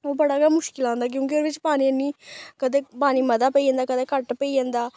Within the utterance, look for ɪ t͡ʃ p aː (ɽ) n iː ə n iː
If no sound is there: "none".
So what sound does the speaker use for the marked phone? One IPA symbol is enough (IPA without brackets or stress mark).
none